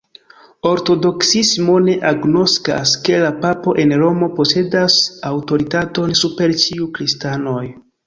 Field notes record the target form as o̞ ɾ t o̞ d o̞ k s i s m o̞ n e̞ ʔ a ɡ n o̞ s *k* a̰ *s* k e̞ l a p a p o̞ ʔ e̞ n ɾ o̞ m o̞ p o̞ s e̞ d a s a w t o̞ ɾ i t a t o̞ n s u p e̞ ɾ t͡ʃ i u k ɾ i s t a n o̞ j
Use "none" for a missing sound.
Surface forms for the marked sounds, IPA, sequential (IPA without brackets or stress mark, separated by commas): k, s